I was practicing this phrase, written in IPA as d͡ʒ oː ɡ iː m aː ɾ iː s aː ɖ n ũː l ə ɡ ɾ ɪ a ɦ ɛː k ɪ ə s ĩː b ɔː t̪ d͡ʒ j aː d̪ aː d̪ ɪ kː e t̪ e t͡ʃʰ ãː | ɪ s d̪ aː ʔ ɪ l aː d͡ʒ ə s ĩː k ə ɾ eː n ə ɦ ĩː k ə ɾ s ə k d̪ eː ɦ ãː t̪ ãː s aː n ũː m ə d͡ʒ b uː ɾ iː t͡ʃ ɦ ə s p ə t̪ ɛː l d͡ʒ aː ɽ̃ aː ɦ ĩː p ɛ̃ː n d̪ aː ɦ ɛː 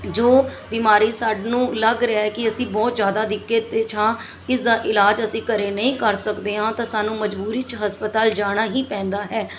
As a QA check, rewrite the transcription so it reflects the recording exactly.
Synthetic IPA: d͡ʒ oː b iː m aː ɾ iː s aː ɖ n ũː l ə ɡ ɾ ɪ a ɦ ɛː k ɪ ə s ĩː b ɔː t̪ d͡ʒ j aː d̪ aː d̪ ɪ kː e t̪ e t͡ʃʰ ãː | ɪ s d̪ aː ʔ ɪ l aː d͡ʒ ə s ĩː k ə ɾ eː n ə ɦ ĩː k ə ɾ s ə k d̪ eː ɦ ãː t̪ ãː s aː n ũː m ə d͡ʒ b uː ɾ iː t͡ʃ ɦ ə s p ə t̪ aː l d͡ʒ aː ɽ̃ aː ɦ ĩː p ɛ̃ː n d̪ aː ɦ ɛː

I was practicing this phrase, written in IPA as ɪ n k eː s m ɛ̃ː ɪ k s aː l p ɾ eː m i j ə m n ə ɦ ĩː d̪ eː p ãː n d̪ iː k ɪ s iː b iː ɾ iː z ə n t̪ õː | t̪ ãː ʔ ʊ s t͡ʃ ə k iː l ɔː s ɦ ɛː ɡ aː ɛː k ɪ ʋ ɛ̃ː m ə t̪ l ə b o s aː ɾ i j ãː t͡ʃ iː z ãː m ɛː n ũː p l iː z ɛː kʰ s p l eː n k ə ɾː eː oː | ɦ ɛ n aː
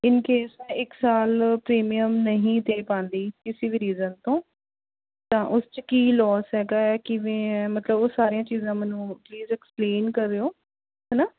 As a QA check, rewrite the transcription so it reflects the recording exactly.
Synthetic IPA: ɪ n k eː s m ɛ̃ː ɪ k s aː l p ɾ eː m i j ə m n ə ɦ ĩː d̪ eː p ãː n d̪ iː k ɪ s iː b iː ɾ iː z ə n t̪ õː | t̪ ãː ʔ ʊ s t͡ʃ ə k iː l ɔː s ɦ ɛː ɡ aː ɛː k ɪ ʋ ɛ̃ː m ə t̪ l ə b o s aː ɾ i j ãː t͡ʃ iː z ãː m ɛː n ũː p l iː z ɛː k s p l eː n k ə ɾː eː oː | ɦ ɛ n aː

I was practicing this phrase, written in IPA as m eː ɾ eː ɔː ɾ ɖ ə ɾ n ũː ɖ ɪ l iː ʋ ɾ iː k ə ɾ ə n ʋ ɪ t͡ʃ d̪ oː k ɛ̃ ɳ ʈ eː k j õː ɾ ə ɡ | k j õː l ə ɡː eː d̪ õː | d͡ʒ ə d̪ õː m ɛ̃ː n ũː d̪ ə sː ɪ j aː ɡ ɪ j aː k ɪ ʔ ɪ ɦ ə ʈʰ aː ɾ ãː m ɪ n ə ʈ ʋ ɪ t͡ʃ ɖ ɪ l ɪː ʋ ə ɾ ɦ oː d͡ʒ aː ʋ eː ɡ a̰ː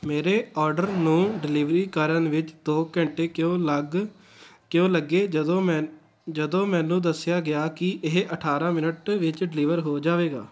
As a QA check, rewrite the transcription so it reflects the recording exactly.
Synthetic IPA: m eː ɾ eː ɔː ɾ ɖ ə ɾ n ũː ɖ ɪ l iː ʋ ɾ iː k ə ɾ ə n ʋ ɪ t͡ʃ d̪ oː k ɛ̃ ɳ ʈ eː k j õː l ə ɡ | k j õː l ə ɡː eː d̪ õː | d͡ʒ ə d̪ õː m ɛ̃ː n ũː d̪ ə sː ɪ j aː ɡ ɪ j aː k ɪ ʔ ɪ ɦ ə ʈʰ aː ɾ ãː m ɪ n ə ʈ ʋ ɪ t͡ʃ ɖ ɪ l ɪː ʋ ə ɾ ɦ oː d͡ʒ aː ʋ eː ɡ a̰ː

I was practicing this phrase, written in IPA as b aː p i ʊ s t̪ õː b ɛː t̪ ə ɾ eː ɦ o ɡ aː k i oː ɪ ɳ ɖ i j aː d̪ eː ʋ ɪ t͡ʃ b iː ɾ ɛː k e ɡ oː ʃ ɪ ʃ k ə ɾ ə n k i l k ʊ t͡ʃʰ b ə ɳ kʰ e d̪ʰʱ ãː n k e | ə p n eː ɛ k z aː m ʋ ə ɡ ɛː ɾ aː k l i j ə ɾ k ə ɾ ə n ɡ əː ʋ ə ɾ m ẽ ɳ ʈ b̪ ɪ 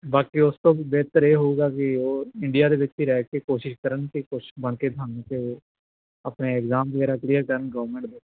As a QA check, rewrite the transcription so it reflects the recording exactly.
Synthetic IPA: b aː k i ʊ s t̪ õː b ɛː t̪ ə ɾ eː ɦ o ɡ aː k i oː ɪ ɳ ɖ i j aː d̪ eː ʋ ɪ t͡ʃ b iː ɾ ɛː k e k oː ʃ ɪ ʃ k ə ɾ ə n k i k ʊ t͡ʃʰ b ə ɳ k e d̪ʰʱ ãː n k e | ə p n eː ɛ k z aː m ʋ ə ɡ ɛː ɾ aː k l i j ə ɾ k ə ɾ ə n ɡ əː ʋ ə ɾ m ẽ ɳ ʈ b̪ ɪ

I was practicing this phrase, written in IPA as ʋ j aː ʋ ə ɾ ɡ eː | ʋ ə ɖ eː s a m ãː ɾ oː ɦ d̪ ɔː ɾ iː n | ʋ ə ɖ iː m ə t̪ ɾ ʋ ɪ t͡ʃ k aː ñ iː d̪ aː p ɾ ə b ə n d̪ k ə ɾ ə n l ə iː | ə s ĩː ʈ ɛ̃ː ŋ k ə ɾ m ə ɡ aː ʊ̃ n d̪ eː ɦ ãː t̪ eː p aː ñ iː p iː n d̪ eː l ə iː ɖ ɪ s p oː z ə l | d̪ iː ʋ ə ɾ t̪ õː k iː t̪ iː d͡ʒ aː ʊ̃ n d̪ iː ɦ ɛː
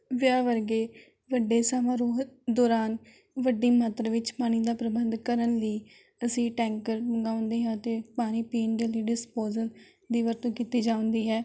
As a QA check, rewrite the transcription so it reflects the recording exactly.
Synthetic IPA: ʋ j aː ʋ ə ɾ ɡ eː | ʋ ə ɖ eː s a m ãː ɾ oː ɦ d̪ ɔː ɾ aː n | ʋ ə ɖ iː m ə t̪ ɾ ʋ ɪ t͡ʃ p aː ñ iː d̪ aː p ɾ ə b ə n d̪ k ə ɾ ə n l ə iː | ə s ĩː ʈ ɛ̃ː ŋ k ə ɾ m ə ɡ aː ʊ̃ n d̪ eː ɦ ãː t̪ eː p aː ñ iː p iː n d̪ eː l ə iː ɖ ɪ s p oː z ə l | d̪ iː ʋ ə ɾ t̪ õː k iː t̪ iː d͡ʒ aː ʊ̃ n d̪ iː ɦ ɛː

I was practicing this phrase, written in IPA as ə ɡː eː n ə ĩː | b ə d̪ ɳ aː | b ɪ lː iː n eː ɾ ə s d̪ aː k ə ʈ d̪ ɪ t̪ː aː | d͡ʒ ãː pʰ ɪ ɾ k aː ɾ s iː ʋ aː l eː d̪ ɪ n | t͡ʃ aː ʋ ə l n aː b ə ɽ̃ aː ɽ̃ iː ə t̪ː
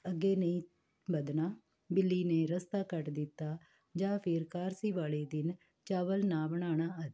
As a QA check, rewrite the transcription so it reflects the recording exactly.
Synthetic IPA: ə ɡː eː n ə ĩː | b ə d̪ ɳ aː | b ɪ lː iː n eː ɾ ə s t̪ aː k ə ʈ d̪ ɪ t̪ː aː | d͡ʒ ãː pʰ ɪ ɾ k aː ɾ s iː ʋ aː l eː d̪ ɪ n | t͡ʃ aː ʋ ə l n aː b ə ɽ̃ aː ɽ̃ aː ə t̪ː

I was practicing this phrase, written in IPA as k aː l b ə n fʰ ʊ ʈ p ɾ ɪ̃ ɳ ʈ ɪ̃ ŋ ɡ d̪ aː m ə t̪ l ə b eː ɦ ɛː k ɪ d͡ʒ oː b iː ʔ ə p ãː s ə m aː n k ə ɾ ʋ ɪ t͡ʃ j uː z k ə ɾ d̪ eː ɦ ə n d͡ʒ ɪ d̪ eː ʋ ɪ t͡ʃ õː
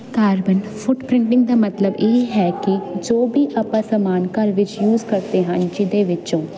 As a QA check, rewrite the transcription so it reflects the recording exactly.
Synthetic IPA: k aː ɾ b ə n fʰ ʊ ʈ p ɾ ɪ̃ ɳ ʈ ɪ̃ ŋ ɡ d̪ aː m ə t̪ l ə b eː ɦ ɛː k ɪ d͡ʒ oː b iː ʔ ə p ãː s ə m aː n k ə ɾ ʋ ɪ t͡ʃ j uː z k ə ɾ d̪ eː ɦ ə n d͡ʒ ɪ d̪ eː ʋ ɪ t͡ʃ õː

